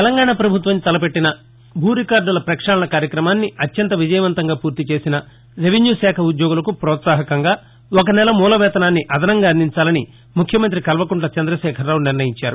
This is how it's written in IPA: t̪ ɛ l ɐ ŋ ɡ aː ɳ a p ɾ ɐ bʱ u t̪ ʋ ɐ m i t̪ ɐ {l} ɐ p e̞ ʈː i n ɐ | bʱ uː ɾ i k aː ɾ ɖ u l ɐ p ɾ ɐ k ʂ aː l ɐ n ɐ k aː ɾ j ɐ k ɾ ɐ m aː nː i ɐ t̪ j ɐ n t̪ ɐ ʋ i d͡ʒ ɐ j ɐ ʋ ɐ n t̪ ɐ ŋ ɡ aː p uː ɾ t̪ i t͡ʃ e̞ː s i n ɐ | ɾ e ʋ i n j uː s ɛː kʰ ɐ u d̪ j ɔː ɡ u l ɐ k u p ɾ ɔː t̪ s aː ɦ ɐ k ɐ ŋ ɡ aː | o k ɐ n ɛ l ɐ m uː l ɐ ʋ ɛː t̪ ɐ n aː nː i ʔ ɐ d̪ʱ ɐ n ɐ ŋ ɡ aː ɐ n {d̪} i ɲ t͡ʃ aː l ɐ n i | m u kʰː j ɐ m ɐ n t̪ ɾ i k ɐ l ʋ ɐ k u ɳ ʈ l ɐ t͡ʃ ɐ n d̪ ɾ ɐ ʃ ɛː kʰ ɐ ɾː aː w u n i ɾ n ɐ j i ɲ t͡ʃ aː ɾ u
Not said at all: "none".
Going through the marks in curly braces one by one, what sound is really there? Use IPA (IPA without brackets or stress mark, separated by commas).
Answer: l, d̪